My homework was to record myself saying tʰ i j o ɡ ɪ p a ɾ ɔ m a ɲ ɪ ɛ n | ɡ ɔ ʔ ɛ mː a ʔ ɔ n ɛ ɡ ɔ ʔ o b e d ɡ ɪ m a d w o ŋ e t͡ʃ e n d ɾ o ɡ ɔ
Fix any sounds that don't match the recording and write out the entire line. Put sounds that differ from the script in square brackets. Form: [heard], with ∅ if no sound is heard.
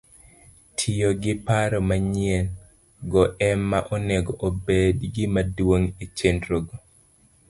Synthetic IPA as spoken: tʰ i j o ɡ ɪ p a ɾ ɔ m a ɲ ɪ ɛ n | ɡ ɔ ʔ ɛ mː a ʔ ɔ n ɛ ɡ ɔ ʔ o b e d ɡ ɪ m a d w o ŋ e t͡ʃ e n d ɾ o ɡ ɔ